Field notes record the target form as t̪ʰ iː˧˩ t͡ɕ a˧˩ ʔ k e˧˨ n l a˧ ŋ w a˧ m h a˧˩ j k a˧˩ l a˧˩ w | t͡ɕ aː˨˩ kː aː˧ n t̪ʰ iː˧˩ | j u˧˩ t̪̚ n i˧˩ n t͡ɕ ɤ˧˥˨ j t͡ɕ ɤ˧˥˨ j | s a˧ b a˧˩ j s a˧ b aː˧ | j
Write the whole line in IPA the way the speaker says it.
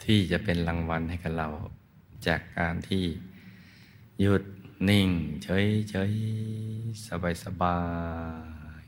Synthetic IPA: t̪ʰ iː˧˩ t͡ɕ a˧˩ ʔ p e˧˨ n l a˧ ŋ w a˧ n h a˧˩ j k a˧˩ l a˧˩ w | t͡ɕ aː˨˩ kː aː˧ n t̪ʰ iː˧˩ | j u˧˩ t̪̚ n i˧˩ ŋ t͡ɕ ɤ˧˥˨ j t͡ɕ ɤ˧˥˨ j | s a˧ b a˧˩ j s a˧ b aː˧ | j